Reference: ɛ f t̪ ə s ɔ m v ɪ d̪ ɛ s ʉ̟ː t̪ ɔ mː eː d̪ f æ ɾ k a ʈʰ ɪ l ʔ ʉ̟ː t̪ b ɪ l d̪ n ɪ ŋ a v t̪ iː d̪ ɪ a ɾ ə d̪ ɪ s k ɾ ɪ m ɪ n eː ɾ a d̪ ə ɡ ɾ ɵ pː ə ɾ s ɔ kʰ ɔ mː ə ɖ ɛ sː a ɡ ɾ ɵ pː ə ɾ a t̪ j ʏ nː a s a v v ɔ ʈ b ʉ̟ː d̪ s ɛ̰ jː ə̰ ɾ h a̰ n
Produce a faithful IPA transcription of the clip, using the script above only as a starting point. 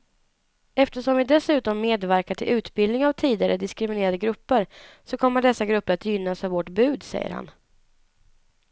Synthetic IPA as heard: ɛ f t̪ ə ʂ ɔ m v ɪ d̪ ɛ s ʉ̟ː t̪ ɔ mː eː d̪ v æ ɾ k a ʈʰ ɪ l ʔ ʉ̟ː t̪ b ɪ l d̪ n ɪ ŋ a v t̪ʰ iː d̪ ɪ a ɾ ə d̪ ɪ s k ɾ ɪ m ɪ n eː ɾ a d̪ ə ɡ ɾ ɵ pː ə ɾ s ɔ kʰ ɔ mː ə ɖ ɛ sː a ɡ ɾ ɵ pː ə ɾ a t̪ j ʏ nː a s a v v ɔ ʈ b ʉ̟ː d̪ s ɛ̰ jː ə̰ ɾ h a̰ n